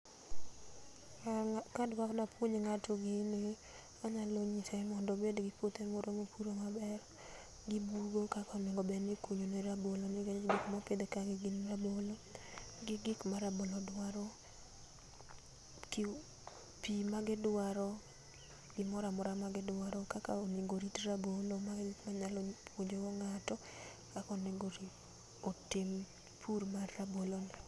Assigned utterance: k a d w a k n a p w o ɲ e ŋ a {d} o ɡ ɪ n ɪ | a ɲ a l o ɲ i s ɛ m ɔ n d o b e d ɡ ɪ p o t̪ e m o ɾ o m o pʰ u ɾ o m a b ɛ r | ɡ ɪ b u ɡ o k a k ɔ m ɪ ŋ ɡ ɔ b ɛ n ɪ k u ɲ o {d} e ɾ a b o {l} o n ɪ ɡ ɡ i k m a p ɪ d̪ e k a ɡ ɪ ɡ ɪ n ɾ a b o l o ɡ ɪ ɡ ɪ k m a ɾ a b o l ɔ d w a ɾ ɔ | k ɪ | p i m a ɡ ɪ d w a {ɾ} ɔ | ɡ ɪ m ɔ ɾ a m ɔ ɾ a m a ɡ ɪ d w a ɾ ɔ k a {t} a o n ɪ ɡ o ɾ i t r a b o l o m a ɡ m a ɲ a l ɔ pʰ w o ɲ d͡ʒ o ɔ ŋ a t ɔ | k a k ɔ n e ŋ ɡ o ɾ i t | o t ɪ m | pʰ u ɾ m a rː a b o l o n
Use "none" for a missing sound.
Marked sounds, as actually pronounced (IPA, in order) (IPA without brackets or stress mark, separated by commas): t, n, l, ɾ, k